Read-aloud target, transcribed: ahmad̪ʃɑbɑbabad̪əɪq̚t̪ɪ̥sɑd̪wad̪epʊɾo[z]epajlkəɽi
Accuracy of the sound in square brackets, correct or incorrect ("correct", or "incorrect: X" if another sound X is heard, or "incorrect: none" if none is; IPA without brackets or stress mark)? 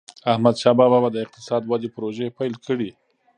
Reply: incorrect: ʒ